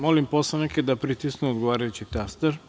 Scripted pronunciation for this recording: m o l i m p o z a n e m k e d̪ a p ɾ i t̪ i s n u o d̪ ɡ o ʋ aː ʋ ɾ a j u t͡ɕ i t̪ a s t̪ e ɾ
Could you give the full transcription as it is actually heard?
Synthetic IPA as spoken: m o l i m p o s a n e k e d̪ a p ɾ i t̪ i s n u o d̪ ɡ o ʋ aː ɾ a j u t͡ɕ i t̪ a s t̪ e ɾ

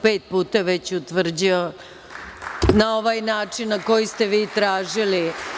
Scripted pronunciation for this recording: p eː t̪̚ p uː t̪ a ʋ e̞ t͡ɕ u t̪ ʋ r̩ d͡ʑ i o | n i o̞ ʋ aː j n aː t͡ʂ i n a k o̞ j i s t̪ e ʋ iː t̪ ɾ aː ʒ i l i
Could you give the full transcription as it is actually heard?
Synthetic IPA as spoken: p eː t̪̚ p uː t̪ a ʋ e̞ t͡ɕ u t̪ ʋ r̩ d͡ʑ i o | n a o̞ ʋ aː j n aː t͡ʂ i nː a k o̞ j i s t̪ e ʋ iː t̪ ɾ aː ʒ i l i

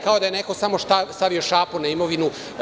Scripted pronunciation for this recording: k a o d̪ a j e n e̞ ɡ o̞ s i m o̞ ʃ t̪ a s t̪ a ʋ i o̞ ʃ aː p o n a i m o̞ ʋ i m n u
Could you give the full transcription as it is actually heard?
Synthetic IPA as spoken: k a o d̪ a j e n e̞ k o̞ s a m o̞ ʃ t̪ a s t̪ a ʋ i o̞ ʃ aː p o n a i m o̞ ʋ i n u

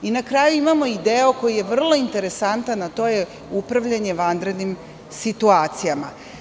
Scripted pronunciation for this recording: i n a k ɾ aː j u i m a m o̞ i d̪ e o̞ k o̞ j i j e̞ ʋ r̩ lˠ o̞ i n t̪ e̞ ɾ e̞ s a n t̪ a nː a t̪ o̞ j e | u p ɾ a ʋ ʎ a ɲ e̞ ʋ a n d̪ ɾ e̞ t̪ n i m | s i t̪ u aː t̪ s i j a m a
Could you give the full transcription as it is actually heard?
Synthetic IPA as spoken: i n a k ɾ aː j u i m a m o̞ i d̪ e o̞ k o̞ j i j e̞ ʋ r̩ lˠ o̞ i n t̪ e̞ ɾ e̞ s a n t̪ a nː a t̪ o̞ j e | u p ɾ a ʋ ʎ a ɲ e̞ ʋ a n d̪ ɾ e̞ d̪ n i m | s i t̪ u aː t̪ s i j a m a

